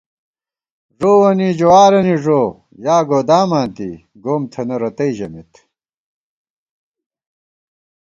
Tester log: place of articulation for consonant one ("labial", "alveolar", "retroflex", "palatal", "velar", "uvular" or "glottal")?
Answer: retroflex